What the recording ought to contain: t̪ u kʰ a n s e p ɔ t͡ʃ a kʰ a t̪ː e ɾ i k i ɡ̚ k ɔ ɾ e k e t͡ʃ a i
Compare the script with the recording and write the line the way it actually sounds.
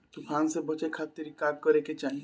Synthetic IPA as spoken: t̪ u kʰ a n s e b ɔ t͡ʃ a kʰ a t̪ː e ɾ i k a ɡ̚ k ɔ ɾ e k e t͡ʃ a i